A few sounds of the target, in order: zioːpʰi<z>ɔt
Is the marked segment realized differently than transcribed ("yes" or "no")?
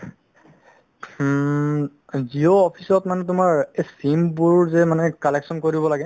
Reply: yes